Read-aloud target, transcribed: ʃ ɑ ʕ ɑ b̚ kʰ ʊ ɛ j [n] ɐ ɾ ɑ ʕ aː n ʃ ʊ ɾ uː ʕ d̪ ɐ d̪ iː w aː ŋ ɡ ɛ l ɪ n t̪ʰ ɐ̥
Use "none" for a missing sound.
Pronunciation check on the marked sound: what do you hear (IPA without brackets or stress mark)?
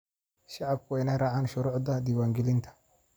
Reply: n